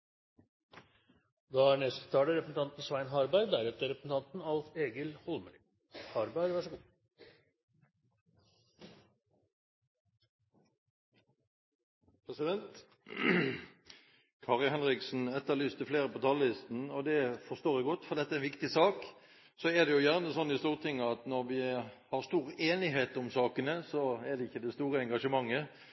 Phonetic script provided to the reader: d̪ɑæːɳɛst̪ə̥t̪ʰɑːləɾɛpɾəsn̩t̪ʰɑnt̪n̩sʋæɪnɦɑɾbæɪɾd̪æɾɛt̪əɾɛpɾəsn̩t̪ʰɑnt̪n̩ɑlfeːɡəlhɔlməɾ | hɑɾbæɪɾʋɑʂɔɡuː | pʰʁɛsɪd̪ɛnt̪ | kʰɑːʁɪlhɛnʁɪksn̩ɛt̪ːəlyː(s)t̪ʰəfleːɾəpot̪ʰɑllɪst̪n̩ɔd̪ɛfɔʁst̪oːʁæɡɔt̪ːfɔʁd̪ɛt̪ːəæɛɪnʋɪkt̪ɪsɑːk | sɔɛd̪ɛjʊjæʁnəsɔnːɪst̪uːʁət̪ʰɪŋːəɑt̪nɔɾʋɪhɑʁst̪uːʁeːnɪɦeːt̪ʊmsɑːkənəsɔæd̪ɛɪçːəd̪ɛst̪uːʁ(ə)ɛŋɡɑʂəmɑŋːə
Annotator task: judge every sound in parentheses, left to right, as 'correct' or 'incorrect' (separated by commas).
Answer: correct, correct